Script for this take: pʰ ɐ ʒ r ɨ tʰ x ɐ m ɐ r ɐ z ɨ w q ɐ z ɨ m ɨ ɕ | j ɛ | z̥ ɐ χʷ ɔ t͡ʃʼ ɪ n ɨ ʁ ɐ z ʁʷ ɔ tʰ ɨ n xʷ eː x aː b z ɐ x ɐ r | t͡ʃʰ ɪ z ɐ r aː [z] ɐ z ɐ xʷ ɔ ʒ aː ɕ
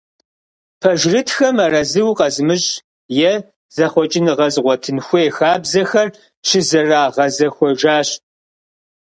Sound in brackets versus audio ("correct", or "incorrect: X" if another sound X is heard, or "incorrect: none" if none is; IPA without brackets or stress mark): incorrect: ʁ